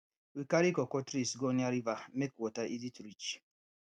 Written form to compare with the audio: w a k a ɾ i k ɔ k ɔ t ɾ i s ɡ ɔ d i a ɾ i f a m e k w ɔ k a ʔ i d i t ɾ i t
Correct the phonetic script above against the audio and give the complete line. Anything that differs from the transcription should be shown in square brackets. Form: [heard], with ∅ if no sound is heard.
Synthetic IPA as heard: w [i] k a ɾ i k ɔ k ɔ t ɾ i s ɡ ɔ [n] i a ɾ i [v] a m e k w ɔ [t] a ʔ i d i t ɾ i [t͡ʃ]